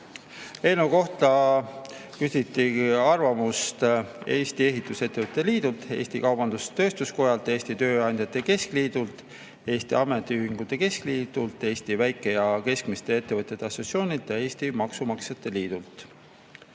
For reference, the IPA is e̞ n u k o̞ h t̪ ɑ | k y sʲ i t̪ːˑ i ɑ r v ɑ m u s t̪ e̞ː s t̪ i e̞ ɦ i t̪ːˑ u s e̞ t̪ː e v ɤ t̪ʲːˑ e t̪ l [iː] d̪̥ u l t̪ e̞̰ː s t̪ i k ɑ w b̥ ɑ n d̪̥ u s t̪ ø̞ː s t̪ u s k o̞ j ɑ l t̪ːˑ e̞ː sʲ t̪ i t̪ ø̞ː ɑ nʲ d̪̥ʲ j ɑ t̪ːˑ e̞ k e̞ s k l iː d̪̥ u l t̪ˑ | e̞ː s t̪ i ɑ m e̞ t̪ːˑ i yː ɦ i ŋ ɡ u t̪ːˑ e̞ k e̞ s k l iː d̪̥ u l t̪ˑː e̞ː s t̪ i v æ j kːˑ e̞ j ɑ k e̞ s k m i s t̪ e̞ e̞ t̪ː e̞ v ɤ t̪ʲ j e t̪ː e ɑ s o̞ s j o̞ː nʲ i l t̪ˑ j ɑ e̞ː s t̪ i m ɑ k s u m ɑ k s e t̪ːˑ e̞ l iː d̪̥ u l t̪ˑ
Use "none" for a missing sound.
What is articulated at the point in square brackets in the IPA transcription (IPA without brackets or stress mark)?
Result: iː